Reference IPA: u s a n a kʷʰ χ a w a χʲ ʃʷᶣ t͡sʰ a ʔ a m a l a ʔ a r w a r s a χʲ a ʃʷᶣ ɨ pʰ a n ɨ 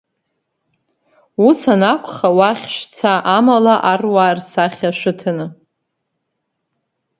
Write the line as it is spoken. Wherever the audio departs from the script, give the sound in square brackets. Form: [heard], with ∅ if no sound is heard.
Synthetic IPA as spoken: u s a n a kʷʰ χ a w a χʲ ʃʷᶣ t͡sʰ a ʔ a m a l a ʔ a r w a r s a χʲ a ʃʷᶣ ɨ [tʰ] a n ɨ